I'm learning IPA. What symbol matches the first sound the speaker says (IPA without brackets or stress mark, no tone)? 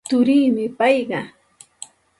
t̪